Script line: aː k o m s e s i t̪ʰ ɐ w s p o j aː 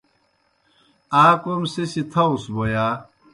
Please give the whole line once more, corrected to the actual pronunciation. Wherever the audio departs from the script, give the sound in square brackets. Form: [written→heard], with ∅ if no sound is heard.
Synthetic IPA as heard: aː k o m s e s i t̪ʰ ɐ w s [p→b] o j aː